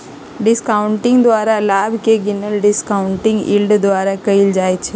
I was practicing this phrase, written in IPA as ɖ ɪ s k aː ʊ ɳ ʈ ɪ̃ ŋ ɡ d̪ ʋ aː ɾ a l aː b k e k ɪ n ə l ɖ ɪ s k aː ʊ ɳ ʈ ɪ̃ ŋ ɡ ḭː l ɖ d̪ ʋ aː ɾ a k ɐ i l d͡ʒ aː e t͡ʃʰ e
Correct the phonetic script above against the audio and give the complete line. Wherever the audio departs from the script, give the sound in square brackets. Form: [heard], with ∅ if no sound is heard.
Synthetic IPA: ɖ ɪ s k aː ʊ ɳ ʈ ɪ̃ ŋ ɡ d̪ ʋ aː ɾ a l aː b k e [ɡ] ɪ n ə l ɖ ɪ s k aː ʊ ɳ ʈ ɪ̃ ŋ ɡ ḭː l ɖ d̪ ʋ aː ɾ a k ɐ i l d͡ʒ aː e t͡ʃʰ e